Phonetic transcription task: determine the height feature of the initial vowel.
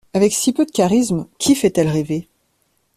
low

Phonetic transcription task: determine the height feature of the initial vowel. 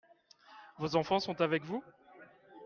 mid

